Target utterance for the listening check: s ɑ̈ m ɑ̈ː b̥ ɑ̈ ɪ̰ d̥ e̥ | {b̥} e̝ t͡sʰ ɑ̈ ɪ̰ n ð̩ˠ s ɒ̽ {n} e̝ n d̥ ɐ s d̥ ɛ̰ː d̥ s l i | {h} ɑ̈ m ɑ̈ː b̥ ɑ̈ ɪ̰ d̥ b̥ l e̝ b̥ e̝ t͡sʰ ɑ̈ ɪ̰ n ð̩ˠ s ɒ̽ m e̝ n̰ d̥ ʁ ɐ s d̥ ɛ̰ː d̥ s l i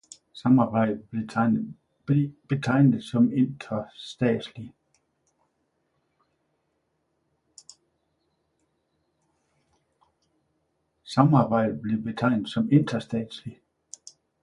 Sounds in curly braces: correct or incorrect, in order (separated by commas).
correct, incorrect, incorrect